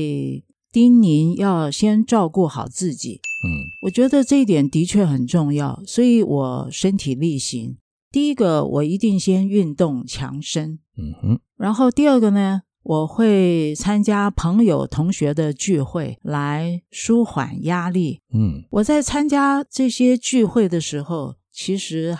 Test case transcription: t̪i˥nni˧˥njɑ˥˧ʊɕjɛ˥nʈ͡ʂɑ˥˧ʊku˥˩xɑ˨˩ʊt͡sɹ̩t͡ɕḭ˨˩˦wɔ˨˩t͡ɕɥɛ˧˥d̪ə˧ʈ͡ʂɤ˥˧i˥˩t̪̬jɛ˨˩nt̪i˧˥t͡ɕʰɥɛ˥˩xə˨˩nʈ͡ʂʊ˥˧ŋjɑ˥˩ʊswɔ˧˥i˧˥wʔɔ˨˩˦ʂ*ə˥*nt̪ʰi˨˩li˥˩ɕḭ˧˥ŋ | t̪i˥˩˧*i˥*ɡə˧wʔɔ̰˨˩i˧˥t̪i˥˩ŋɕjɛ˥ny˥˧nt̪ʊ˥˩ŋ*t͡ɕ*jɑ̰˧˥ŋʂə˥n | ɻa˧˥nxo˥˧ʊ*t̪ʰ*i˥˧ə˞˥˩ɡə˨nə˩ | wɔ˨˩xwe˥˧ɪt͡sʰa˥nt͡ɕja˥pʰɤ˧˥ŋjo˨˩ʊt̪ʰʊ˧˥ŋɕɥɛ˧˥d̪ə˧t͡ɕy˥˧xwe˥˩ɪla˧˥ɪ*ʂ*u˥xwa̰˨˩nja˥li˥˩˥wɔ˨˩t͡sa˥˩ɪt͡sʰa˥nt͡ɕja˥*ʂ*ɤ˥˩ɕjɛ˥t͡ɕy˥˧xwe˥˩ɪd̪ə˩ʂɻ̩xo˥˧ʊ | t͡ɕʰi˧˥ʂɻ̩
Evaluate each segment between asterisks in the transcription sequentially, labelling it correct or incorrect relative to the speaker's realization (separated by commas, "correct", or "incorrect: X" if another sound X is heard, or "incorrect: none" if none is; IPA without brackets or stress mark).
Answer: correct, correct, incorrect: t͡ɕʰ, incorrect: t̪, correct, incorrect: ʈ͡ʂ